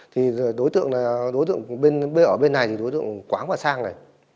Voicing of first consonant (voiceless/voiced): voiceless